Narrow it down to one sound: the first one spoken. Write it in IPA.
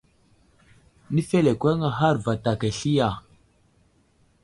n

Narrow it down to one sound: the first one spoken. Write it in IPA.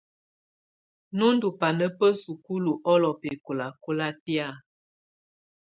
n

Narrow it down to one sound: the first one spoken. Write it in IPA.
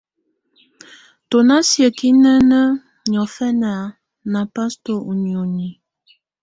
t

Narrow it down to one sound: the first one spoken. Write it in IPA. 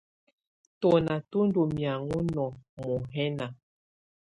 t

